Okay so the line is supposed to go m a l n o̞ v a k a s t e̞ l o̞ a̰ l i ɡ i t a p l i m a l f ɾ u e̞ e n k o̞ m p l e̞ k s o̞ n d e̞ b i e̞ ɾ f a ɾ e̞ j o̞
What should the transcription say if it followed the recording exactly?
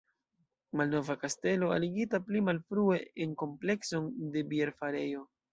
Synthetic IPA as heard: m a l n o̞ v a k a s t e̞ l o̞ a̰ l i ɡ i t a p l i m a l f ɾ u e̞ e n k o̞ m p l e̞ k s o̞ n d e̞ b i e̞ ɾ f a ɾ e̞ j o̞